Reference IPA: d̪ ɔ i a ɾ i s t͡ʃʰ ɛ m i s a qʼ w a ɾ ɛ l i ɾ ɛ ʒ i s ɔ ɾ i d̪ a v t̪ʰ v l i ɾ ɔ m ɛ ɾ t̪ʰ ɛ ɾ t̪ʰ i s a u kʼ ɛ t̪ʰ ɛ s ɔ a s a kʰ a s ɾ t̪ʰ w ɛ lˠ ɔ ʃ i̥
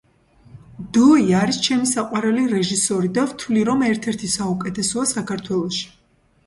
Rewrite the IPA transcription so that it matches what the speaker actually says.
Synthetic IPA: d̪ ɔ i a ɾ i s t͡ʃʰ ɛ m i s a qʼ w a ɾ ɛ l i ɾ ɛ ʒ i s ɔ ɾ i d̪ a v t̪ʰ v l i ɾ ɔ m ɛ ɾ t̪ʰ ɛ ɾ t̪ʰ i s a u kʼ ɛ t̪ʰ ɛ s ɔ a s a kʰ a ɾ t̪ʰ w ɛ lˠ ɔ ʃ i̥